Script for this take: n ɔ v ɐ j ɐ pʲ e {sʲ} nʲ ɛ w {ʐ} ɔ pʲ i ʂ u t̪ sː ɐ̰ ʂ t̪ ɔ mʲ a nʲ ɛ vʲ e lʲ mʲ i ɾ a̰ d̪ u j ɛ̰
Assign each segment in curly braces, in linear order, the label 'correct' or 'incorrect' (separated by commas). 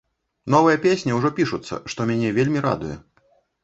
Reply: correct, correct